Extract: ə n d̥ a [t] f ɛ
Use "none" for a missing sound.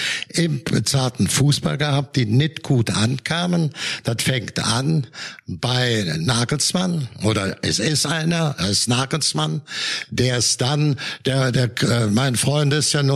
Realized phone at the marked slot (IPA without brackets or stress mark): t